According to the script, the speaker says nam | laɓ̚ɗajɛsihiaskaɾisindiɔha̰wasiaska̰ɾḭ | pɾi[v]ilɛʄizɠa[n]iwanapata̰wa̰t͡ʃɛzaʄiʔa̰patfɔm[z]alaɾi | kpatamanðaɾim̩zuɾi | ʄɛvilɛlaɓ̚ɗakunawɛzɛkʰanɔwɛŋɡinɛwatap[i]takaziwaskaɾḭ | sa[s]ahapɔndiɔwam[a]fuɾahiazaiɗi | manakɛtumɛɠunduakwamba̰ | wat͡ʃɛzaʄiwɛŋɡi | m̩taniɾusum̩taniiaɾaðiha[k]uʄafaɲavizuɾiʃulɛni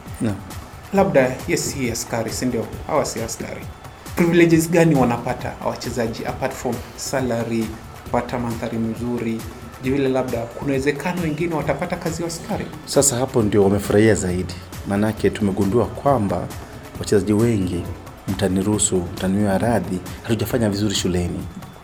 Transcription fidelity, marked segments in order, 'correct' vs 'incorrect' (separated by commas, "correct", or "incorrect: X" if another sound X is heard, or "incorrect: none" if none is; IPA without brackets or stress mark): correct, correct, incorrect: s, incorrect: a, correct, incorrect: ɛ, incorrect: t